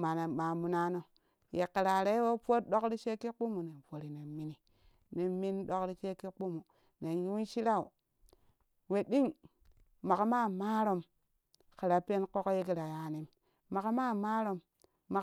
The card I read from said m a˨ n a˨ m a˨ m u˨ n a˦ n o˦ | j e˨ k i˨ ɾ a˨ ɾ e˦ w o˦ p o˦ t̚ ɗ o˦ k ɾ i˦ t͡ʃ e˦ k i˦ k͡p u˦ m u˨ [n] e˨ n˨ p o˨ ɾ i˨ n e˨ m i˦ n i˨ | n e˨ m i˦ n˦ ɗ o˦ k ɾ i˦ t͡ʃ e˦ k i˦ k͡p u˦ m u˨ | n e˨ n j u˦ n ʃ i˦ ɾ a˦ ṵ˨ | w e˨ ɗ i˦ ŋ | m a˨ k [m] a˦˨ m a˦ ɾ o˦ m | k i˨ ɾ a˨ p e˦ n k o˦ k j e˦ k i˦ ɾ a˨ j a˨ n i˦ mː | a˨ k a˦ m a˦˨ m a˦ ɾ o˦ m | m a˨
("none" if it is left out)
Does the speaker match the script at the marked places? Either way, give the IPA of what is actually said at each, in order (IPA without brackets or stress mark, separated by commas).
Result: n, m